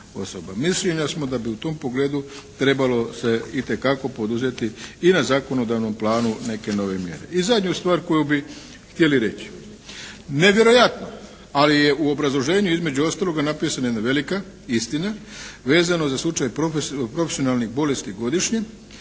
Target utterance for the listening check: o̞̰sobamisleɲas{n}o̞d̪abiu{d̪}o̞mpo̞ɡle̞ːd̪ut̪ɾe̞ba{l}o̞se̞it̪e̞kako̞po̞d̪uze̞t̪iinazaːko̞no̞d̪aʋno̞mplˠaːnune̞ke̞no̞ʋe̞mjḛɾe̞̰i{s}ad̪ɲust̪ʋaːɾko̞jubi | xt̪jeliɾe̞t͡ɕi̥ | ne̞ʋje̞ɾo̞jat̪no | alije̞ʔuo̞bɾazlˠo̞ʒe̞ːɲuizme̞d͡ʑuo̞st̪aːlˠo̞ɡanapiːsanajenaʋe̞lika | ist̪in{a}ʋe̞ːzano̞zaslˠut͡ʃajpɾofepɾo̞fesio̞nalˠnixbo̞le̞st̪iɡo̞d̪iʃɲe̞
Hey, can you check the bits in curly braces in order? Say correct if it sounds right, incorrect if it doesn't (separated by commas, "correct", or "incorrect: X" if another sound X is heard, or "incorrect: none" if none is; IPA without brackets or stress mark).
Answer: incorrect: m, incorrect: t̪, correct, incorrect: z, correct